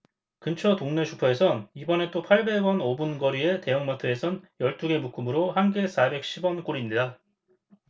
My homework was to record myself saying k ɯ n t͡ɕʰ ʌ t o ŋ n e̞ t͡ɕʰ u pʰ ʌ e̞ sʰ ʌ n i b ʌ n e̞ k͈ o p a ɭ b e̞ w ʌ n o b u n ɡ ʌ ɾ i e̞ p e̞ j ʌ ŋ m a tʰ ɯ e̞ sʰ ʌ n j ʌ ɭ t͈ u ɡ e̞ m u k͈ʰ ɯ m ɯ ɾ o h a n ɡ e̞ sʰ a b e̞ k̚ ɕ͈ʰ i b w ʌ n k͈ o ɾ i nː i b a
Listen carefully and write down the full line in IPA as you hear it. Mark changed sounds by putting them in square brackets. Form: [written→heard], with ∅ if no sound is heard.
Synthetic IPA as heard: k ɯ n t͡ɕʰ ʌ t o ŋ n e̞ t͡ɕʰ u pʰ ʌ e̞ sʰ ʌ n i b ʌ n e̞ [k͈→t͈] o [p→pʰ] a ɭ b e̞ w ʌ n o b u n ɡ ʌ ɾ i e̞ [p→t] e̞ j ʌ ŋ m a tʰ ɯ e̞ sʰ ʌ n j ʌ ɭ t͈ u ɡ e̞ m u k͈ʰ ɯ m ɯ ɾ o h a n ɡ e̞ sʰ a b e̞ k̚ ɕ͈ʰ i b w ʌ n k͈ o ɾ i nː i [b→d] a